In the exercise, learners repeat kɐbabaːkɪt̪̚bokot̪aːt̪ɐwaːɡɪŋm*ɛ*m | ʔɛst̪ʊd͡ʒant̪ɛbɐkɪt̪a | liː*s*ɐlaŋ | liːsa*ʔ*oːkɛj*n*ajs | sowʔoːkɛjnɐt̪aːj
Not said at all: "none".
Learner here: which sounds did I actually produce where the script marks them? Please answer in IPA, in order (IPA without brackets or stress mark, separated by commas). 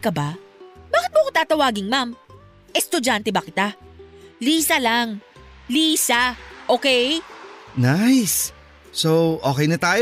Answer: a, s, ʔ, n